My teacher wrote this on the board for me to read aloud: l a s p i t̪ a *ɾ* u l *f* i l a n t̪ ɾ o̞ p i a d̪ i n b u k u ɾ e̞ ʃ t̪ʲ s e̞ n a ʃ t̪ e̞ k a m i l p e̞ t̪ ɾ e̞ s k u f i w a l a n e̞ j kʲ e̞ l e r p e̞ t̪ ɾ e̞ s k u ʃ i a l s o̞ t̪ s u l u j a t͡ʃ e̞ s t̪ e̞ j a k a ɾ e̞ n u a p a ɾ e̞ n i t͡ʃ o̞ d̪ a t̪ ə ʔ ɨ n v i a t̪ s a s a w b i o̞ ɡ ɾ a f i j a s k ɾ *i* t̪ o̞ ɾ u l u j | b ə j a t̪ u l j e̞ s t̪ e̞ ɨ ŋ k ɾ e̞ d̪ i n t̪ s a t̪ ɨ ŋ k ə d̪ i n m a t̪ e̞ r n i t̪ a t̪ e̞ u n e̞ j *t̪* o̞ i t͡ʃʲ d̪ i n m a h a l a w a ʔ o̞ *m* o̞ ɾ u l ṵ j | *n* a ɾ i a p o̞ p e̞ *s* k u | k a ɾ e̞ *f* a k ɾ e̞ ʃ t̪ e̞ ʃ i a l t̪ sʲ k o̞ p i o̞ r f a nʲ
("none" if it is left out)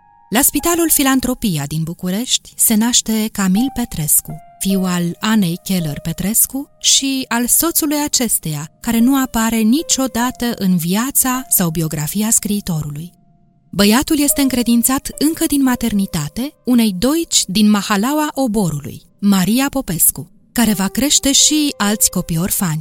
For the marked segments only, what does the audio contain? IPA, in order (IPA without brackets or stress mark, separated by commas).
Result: l, f, iː, d̪, b, m, s, v